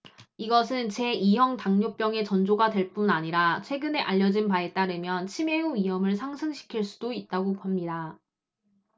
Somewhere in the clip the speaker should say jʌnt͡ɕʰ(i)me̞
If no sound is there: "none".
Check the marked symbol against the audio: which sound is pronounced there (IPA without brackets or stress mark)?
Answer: i